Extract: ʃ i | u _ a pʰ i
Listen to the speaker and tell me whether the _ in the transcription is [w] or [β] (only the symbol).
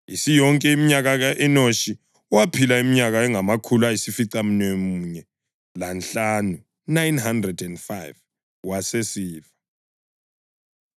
w